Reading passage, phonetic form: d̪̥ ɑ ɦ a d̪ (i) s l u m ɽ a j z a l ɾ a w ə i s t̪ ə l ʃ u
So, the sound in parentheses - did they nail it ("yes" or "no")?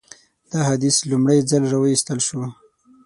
yes